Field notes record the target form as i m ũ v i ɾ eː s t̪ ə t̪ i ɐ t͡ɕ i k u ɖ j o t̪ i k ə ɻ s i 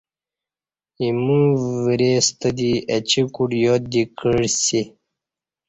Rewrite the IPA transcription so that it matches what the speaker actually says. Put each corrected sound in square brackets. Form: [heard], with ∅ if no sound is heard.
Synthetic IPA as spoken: i m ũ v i ɾ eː s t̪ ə [d̪] i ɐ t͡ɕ i k u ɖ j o [d̪] i k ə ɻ s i